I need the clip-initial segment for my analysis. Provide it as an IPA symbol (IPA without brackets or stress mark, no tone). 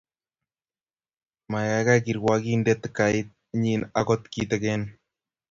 m